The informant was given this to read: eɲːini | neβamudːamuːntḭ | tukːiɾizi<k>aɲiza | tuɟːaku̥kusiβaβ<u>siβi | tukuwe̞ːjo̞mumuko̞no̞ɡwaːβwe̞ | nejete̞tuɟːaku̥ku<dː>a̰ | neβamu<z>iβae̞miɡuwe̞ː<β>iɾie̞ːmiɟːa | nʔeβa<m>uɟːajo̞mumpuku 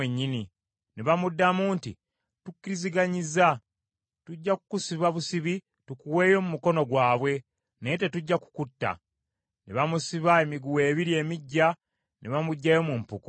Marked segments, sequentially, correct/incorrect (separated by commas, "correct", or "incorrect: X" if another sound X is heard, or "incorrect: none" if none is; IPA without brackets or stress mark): incorrect: ɡ, correct, incorrect: tː, incorrect: s, correct, correct